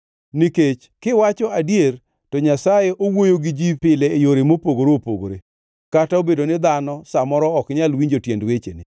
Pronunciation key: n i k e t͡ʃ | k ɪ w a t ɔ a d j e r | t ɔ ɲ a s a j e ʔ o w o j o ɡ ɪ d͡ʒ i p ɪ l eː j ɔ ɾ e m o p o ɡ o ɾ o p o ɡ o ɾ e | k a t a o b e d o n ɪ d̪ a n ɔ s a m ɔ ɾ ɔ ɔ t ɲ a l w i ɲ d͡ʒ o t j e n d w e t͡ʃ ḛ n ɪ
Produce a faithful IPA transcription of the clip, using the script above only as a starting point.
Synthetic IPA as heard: n i k e t͡ʃ | k ɪ w a t͡ʃ ɔ a d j e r | t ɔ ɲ a s a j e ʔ o w o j o ɡ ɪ d͡ʒ i p ɪ l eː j o ɾ e m o p o ɡ o ɾ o p o ɡ o ɾ e | k a t a o b e d o n ɪ d̪ a n ɔ s a m ɔ ɾ ɔ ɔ k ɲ a l w i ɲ d͡ʒ o t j e n d w e t͡ʃ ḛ n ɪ